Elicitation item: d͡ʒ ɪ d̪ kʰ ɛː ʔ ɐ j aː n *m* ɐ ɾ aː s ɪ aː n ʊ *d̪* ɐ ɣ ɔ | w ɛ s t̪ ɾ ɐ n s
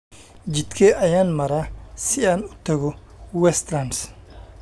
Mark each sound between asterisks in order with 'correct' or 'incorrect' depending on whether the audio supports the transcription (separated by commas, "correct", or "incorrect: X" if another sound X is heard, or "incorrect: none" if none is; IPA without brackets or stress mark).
correct, incorrect: t̪